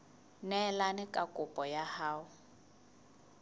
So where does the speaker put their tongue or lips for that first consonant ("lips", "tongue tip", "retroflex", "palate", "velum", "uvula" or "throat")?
tongue tip